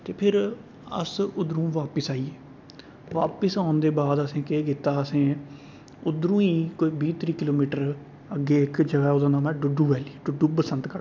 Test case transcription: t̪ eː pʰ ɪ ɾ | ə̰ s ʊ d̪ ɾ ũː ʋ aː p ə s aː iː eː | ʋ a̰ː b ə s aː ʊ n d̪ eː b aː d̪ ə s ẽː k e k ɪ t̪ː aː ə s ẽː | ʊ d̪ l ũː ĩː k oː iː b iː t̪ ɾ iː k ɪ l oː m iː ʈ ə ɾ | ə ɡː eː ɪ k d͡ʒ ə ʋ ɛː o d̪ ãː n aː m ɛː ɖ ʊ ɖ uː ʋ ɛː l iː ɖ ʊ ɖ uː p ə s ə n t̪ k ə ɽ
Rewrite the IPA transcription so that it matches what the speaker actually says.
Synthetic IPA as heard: t̪ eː pʰ ɪ ɾ | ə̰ s ʊ d̪ ɾ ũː ʋ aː p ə s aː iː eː | ʋ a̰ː p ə s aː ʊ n d̪ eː b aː d̪ ə s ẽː k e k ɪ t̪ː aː ə s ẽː | ʊ d̪ ɾ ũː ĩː k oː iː b iː t̪ ɾ iː k ɪ l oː m iː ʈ ə ɾ | ə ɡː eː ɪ k d͡ʒ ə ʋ ɛː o d̪ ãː n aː m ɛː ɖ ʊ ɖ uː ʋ ɛː l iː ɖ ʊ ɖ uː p ə s ə n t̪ k ə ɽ